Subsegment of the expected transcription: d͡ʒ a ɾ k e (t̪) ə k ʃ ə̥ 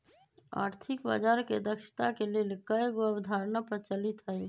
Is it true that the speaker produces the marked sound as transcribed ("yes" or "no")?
no